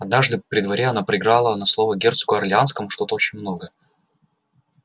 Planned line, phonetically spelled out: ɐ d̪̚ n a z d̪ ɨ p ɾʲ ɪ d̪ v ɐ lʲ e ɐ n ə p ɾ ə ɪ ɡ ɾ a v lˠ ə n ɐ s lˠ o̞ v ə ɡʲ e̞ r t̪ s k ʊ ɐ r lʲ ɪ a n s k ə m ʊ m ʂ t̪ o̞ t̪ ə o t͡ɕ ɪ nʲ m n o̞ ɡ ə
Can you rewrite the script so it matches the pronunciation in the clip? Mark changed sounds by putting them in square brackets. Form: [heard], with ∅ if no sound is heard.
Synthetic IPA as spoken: ɐ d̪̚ n a [ʐ] d̪ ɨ p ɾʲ ɪ d̪ v ɐ [ɾʲ] e ɐ n [a] p ɾ ə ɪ ɡ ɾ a [∅] lˠ ə n ɐ s lˠ o̞ v ə ɡʲ e̞ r t̪ s k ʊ ɐ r lʲ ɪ a n s k ə m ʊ [∅] ʂ t̪ o̞ t̪ ə o t͡ɕ ɪ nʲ m n o̞ ɡ ə

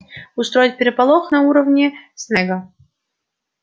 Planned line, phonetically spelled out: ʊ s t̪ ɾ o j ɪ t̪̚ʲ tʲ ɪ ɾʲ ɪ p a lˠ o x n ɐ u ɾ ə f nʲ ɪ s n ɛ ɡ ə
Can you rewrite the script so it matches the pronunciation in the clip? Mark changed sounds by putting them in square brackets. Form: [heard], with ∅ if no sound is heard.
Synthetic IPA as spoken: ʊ s t̪ ɾ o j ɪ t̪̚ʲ [pʲ] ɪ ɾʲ ɪ p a lˠ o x n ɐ u ɾ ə [v] nʲ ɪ s n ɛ ɡ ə

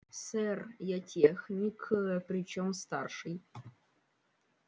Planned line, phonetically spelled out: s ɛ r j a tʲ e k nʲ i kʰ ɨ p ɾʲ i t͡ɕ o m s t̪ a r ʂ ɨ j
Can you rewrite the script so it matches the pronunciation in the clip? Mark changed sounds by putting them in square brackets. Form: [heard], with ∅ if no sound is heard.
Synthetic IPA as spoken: s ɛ r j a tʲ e [x] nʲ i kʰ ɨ p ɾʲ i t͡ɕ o m s t̪ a r ʂ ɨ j

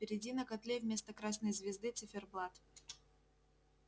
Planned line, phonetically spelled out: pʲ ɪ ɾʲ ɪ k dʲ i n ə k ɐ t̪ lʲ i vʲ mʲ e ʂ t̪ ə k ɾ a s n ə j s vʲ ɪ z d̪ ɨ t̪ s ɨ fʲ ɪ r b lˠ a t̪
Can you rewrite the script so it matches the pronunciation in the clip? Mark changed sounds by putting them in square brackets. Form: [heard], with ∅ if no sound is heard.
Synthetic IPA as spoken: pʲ ɪ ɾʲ ɪ [∅] dʲ i n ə k ɐ t̪ lʲ [e] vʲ mʲ e [s] t̪ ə k ɾ a s n ə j [z] vʲ ɪ z d̪ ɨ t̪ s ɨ fʲ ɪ r b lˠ a t̪

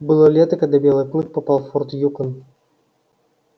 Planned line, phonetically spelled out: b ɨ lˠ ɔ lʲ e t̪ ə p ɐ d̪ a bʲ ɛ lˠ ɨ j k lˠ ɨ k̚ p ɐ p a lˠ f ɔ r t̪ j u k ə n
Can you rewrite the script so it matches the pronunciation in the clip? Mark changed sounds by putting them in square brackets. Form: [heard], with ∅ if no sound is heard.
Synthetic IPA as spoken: b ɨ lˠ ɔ lʲ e t̪ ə [k] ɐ d̪ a bʲ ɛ lˠ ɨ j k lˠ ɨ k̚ p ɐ p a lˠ f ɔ r t̪ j u k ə n

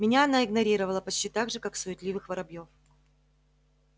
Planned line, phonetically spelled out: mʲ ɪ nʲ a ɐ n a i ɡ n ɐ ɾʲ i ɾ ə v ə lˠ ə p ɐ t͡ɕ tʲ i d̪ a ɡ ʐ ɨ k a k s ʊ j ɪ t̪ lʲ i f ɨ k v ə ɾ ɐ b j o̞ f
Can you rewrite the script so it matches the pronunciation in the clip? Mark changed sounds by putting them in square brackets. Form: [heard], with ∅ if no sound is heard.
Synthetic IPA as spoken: mʲ ɪ nʲ a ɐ n a [ɪ] ɡ n ɐ ɾʲ i ɾ ə v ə lˠ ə p ɐ t͡ɕ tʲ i [t̪] a ɡ ʐ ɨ k a k s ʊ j ɪ t̪ lʲ i [v] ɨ [x] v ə ɾ ɐ b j o̞ f

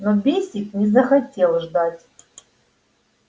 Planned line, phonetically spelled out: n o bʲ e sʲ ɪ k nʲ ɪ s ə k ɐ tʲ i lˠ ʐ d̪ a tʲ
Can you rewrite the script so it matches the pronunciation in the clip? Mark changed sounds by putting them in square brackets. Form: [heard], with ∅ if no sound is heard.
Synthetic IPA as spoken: n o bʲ e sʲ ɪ k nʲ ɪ [z] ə [x] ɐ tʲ [e] lˠ ʐ d̪ a tʲ

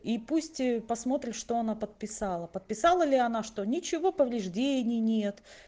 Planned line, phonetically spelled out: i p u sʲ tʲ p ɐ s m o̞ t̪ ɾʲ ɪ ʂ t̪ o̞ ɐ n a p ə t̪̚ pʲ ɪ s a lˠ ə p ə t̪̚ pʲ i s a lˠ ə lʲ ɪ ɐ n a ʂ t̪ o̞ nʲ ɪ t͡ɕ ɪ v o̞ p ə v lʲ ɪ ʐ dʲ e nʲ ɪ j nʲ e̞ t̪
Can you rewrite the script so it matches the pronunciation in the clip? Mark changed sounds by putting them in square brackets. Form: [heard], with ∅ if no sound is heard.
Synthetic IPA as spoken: i p u sʲ tʲ p ɐ s m o̞ t̪ ɾʲ ɪ ʂ t̪ o̞ ɐ n a p ə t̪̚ pʲ ɪ s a lˠ ə p ə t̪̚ pʲ [ɪ] s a lˠ ə lʲ ɪ ɐ n a ʂ t̪ o̞ nʲ ɪ t͡ɕ ɪ v o̞ p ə v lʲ ɪ ʐ dʲ e nʲ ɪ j nʲ e̞ t̪

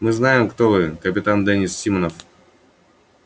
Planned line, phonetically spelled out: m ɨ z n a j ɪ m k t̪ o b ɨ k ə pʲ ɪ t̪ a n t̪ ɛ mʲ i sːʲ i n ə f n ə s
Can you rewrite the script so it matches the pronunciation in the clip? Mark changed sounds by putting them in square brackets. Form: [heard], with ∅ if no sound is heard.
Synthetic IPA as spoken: m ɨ z n a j ɪ m k t̪ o [v] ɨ k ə pʲ ɪ t̪ a n [d̪] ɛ [nʲ] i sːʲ i [m] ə [∅] n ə [f]

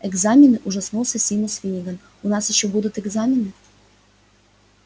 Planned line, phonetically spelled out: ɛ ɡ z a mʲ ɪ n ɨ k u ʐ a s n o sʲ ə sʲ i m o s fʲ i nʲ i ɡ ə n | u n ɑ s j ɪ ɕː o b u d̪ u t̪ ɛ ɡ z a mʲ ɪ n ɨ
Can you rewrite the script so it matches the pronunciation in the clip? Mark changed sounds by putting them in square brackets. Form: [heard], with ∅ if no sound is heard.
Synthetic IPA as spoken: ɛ ɡ z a mʲ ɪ n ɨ [ʔ] u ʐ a s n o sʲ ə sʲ i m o s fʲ i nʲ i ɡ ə n | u n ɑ s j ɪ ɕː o b u d̪ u t̪ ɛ ɡ z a mʲ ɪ n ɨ

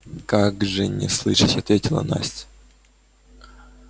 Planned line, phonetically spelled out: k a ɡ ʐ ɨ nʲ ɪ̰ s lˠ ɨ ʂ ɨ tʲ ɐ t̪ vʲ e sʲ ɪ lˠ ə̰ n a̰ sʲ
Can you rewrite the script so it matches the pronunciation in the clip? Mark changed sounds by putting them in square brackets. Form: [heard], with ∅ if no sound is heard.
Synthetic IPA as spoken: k a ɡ ʐ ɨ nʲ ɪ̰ s lˠ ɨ ʂ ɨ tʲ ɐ t̪ vʲ e [tʲ] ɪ lˠ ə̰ n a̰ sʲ

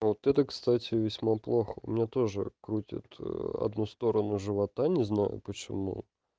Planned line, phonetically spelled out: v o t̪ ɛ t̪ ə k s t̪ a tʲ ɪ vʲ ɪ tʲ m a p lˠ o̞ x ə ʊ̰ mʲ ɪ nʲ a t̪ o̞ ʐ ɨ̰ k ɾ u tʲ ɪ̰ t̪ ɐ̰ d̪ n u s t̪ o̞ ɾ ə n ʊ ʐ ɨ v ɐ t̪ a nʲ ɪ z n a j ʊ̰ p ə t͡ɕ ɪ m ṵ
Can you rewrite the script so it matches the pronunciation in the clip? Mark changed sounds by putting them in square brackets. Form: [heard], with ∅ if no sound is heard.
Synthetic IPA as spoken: v o t̪ ɛ t̪ ə k s t̪ a tʲ ɪ vʲ ɪ [sʲ] m a p lˠ o̞ x ə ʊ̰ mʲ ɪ nʲ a t̪ o̞ ʐ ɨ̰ k ɾ u tʲ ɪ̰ t̪ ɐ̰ d̪ n u s t̪ o̞ ɾ ə n ʊ ʐ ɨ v ɐ t̪ a nʲ ɪ z n a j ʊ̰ p ə t͡ɕ ɪ m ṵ

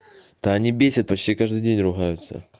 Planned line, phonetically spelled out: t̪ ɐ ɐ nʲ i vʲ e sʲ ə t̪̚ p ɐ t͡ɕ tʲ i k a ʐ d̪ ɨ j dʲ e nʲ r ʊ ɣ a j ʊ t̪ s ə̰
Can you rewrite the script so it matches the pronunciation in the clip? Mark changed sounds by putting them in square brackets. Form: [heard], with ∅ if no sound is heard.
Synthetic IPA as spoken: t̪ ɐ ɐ nʲ i [bʲ] e sʲ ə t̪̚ p ɐ t͡ɕ tʲ i k a ʐ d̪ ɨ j dʲ e nʲ r ʊ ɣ a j ʊ t̪ s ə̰

